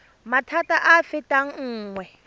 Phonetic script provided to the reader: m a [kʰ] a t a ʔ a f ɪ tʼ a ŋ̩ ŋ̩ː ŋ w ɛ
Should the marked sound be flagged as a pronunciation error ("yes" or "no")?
yes